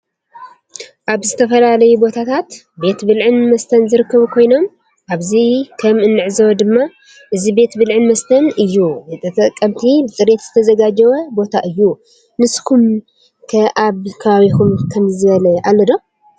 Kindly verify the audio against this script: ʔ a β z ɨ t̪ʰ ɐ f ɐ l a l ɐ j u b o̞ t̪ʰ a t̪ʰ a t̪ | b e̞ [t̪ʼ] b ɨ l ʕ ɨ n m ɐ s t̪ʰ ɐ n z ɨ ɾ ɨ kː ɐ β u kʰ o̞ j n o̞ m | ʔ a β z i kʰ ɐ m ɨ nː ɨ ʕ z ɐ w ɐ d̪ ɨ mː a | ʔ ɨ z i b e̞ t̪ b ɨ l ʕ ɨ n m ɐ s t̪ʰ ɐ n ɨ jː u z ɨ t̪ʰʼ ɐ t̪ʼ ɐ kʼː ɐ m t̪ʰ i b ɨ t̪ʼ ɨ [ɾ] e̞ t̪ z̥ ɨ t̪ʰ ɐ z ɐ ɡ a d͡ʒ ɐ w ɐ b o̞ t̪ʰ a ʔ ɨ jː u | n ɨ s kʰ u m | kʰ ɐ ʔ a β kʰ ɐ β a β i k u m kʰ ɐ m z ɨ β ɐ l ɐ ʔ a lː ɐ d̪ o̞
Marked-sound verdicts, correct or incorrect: incorrect, correct

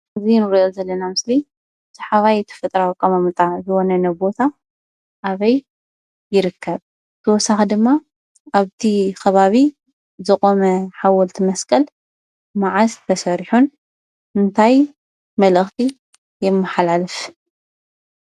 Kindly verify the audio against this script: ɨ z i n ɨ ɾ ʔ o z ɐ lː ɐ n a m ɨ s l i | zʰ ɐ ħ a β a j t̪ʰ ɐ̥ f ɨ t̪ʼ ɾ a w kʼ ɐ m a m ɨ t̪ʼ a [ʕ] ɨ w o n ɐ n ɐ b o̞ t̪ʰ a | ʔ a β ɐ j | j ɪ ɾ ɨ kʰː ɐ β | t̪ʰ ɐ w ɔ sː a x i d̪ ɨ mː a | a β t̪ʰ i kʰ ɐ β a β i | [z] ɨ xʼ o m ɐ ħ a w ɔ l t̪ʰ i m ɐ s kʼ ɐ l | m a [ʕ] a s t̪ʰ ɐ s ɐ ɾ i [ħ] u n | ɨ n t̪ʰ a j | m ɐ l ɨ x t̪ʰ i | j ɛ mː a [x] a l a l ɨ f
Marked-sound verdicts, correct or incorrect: incorrect, correct, correct, correct, incorrect

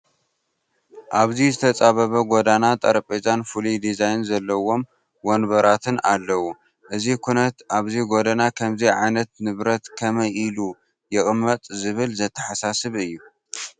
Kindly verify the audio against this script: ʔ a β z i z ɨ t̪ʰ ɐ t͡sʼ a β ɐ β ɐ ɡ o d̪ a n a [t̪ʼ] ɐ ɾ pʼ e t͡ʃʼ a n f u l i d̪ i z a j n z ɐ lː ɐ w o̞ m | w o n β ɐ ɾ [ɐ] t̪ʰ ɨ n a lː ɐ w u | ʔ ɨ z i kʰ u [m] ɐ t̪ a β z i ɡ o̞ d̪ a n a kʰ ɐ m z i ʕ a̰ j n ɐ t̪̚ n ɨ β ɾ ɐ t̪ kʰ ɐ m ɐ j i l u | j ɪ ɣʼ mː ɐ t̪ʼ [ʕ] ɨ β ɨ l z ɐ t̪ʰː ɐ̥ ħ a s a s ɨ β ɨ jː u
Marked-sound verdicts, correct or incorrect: correct, incorrect, incorrect, incorrect

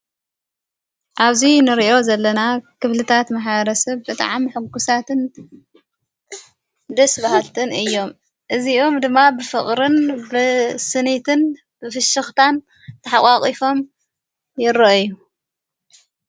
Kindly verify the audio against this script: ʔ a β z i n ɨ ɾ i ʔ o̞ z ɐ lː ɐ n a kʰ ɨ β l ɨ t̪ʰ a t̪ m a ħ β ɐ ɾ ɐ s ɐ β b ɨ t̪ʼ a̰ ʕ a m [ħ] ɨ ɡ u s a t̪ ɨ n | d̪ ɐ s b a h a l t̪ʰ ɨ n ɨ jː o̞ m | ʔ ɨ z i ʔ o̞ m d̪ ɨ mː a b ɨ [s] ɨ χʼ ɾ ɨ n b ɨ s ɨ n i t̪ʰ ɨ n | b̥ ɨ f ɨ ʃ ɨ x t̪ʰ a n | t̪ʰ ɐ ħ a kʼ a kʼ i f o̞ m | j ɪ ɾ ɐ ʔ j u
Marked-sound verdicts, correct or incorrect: correct, incorrect

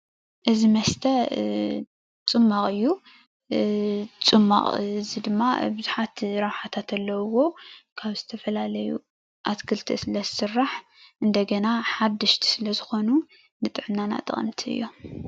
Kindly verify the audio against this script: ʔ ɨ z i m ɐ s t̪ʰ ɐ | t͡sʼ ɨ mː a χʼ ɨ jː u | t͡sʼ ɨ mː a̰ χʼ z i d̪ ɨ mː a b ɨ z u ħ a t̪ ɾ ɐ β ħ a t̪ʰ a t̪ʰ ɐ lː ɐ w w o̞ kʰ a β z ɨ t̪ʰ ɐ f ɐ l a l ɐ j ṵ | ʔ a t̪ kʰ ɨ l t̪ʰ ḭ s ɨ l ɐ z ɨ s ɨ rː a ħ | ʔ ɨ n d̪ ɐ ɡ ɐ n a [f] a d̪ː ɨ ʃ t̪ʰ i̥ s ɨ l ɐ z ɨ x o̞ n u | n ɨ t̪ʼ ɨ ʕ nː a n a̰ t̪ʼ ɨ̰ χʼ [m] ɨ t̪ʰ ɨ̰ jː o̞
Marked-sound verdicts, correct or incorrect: incorrect, incorrect

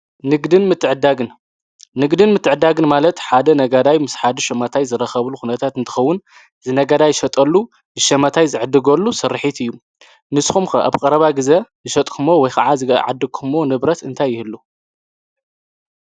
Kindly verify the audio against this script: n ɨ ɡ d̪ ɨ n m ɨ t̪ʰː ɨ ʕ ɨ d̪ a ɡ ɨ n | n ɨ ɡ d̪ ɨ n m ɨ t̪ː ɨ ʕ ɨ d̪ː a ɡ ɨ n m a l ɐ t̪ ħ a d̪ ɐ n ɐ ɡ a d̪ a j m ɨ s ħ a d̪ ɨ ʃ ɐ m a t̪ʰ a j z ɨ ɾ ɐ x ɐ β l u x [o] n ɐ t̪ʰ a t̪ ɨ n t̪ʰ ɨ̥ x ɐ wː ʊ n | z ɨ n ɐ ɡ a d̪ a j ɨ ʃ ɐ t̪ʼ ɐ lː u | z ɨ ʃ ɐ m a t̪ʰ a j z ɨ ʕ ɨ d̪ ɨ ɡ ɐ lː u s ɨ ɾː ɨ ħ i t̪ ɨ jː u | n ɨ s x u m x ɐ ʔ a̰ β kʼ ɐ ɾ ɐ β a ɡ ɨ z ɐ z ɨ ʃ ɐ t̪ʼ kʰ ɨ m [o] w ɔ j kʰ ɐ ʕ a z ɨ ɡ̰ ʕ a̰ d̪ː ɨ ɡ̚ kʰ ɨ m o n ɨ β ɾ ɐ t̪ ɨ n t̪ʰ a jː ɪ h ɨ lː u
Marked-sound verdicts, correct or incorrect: incorrect, correct

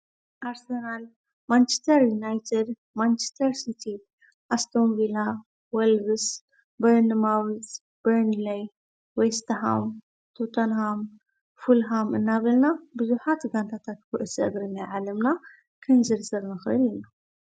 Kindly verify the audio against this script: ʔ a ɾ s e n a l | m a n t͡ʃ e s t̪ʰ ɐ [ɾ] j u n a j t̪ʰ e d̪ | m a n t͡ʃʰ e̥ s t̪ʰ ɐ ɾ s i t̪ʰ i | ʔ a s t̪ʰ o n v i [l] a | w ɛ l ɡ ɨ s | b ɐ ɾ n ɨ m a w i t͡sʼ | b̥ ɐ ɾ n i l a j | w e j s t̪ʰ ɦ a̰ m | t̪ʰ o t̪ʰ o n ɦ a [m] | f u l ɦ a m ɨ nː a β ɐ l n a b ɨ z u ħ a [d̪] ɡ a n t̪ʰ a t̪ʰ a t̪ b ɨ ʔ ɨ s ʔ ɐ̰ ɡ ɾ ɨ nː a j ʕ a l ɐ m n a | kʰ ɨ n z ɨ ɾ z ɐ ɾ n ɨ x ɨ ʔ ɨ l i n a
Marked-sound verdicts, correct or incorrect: correct, correct, correct, incorrect

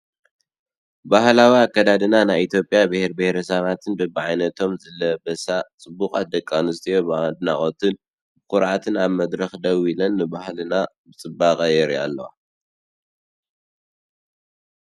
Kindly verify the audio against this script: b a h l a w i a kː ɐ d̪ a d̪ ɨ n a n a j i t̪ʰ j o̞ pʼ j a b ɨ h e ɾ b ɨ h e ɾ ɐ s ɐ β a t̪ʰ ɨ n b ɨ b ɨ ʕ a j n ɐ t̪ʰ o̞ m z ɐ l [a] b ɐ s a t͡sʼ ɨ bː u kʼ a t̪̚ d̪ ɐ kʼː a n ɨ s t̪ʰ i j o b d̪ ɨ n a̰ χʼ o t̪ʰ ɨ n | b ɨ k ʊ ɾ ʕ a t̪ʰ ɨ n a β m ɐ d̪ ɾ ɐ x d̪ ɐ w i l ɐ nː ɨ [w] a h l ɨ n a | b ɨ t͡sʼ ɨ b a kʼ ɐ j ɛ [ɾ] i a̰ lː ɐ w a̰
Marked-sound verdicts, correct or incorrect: incorrect, incorrect, correct

